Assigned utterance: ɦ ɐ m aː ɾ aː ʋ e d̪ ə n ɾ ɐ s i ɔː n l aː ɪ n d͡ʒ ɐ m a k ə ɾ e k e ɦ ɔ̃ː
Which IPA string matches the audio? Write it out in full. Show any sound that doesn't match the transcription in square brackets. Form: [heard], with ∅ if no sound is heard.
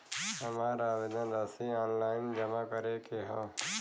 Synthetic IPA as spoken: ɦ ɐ m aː ɾ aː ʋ e d̪ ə n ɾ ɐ s i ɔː n l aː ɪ n d͡ʒ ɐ m a k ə ɾ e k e ɦ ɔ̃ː